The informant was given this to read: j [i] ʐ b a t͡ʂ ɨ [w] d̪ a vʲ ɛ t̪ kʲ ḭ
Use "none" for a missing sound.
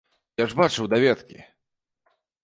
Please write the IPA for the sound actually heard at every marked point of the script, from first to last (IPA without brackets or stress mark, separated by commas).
a, w